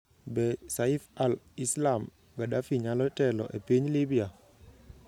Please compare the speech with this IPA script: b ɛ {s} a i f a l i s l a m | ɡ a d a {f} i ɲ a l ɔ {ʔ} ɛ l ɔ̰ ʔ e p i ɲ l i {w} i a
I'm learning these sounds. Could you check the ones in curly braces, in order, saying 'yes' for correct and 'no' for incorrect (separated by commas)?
yes, yes, no, no